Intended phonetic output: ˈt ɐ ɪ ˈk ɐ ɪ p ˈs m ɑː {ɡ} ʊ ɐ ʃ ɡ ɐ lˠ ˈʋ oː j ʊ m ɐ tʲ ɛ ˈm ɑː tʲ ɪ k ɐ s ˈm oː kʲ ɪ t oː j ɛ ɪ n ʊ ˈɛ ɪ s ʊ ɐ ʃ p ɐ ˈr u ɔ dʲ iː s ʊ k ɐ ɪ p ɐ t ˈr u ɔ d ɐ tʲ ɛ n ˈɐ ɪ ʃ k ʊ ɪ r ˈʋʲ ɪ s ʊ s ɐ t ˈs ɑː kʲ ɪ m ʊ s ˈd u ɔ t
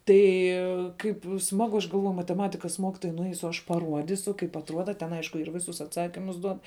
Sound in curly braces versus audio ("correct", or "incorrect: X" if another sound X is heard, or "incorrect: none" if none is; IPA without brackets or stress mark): correct